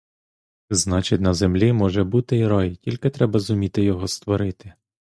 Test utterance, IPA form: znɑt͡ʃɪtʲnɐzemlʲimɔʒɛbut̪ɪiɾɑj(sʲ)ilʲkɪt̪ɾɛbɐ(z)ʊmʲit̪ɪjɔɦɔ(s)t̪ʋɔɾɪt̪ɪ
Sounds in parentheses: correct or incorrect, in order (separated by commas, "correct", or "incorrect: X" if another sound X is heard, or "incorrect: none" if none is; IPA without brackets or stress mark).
incorrect: tʲ, correct, correct